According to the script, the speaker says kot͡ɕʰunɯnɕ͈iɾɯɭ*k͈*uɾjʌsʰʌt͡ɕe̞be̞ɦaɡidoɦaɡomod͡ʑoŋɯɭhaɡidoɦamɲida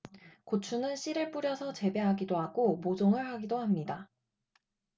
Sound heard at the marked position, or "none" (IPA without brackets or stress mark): p͈